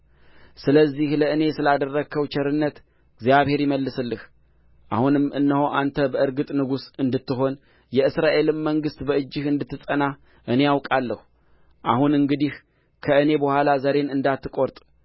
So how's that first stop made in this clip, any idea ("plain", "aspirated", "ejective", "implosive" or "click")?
plain